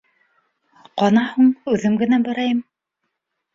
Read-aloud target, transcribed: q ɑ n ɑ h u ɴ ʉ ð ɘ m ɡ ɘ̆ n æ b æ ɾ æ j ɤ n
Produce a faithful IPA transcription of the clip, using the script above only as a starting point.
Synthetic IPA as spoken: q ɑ n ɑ h u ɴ ʉ ð ɘ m ɡ ɘ̆ n æ b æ ɾ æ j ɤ m